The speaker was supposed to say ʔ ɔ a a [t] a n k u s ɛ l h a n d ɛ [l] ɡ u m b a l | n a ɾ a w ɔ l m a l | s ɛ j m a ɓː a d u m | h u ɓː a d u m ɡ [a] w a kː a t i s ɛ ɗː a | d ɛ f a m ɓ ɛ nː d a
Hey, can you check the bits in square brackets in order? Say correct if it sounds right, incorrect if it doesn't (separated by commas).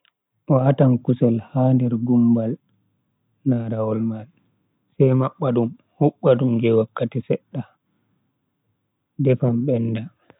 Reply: correct, incorrect, incorrect